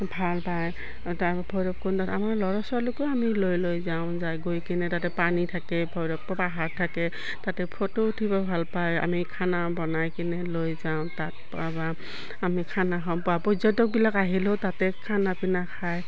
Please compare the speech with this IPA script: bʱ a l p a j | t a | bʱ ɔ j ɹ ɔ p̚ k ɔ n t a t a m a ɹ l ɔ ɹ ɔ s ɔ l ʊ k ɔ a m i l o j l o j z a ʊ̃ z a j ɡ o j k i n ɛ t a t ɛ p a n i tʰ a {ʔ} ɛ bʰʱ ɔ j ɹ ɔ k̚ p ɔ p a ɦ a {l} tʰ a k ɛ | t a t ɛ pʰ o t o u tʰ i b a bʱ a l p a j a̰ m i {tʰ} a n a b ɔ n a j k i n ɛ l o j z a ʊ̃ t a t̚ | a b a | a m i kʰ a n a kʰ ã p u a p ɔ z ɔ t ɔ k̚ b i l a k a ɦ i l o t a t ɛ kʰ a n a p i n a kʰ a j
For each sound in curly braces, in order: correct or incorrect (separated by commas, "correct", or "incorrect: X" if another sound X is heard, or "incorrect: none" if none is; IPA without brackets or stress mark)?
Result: incorrect: k, incorrect: ɹ, incorrect: kʰ